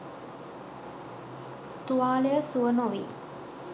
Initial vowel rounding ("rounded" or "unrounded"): rounded